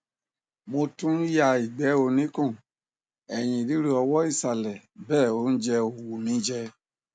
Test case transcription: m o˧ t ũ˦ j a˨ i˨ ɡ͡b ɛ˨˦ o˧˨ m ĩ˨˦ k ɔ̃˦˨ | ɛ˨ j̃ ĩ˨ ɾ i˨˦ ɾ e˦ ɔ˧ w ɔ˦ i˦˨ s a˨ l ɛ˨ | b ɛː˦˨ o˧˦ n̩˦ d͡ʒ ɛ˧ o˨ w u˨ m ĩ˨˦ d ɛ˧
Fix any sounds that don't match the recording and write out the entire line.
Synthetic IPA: m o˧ t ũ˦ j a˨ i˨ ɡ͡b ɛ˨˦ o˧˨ n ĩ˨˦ k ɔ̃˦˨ | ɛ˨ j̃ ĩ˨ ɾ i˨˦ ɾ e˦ ɔ˧ w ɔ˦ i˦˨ s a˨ l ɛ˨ | b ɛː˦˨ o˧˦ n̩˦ d͡ʒ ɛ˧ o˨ w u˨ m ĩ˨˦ d͡ʒ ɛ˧